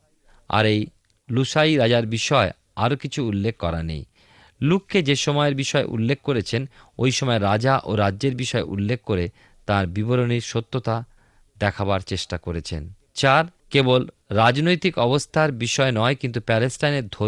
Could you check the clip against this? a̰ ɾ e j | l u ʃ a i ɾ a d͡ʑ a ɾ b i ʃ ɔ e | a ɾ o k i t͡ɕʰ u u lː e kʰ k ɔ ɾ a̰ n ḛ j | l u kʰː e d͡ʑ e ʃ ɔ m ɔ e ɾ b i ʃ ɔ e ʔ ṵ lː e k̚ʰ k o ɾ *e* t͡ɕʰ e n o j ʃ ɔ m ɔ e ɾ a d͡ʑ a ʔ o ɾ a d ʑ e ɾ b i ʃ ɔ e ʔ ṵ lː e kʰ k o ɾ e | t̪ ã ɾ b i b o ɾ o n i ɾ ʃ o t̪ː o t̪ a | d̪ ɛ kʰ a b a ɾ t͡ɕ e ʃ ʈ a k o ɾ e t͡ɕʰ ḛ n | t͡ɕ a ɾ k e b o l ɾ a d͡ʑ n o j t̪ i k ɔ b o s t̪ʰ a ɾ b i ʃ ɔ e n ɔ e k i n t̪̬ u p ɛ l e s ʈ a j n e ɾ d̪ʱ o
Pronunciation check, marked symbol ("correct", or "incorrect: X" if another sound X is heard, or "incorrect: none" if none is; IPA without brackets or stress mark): correct